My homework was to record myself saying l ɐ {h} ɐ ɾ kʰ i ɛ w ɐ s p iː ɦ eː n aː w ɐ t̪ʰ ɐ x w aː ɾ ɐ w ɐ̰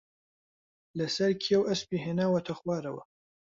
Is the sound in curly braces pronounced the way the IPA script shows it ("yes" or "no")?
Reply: no